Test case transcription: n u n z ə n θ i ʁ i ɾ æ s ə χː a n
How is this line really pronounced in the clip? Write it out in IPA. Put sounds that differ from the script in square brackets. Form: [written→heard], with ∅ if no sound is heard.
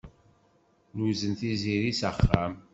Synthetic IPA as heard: n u [n→∅] z ə n θ i [ʁ→z] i ɾ [æ→i] s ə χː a [n→m]

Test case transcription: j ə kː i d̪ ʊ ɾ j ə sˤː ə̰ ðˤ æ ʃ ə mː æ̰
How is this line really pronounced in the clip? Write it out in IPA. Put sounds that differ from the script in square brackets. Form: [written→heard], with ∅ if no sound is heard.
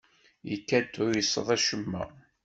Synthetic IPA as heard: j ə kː [i→æ] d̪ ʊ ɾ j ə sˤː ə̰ ðˤ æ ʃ ə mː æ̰

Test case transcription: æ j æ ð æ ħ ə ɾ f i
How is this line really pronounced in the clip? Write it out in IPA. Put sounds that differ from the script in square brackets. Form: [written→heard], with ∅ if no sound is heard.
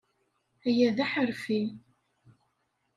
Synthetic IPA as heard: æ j æ ð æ ħ ə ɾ f i

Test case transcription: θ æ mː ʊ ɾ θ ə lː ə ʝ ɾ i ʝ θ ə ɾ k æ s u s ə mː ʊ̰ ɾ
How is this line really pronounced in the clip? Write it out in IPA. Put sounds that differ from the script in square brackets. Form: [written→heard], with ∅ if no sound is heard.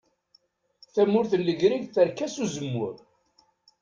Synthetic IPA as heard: θ æ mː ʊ ɾ θ ə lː ə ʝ ɾ i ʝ θ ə ɾ k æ s u [s→z] ə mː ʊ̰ ɾ

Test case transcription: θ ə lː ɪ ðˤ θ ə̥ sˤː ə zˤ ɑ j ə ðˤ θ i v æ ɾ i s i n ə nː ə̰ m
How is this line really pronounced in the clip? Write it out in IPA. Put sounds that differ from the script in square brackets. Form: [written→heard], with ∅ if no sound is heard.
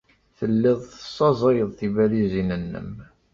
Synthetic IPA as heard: θ ə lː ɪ ðˤ θ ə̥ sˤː [ə→ɑ] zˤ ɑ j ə ðˤ θ i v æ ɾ i [s→z] i n ə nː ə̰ m

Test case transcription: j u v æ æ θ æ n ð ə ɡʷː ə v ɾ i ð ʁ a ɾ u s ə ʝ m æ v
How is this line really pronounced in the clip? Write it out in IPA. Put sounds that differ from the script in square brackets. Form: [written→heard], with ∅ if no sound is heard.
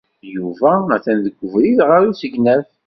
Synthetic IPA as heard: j u v æ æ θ æ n ð ə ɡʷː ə v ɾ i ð ʁ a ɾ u s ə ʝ [m→n] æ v

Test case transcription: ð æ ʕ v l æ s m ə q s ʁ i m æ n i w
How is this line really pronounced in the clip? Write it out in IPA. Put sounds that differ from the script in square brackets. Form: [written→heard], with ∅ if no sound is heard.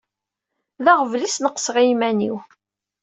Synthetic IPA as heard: ð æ [ʕ→ʁ] v l [æ→i] s [m→n] ə q s ʁ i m æ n i w

